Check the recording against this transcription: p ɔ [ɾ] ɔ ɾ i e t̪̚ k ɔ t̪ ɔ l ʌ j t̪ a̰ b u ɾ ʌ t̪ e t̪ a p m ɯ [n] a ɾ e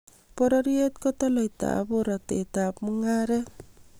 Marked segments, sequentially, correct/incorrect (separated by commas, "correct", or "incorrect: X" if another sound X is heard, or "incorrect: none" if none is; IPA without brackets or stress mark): correct, incorrect: ŋ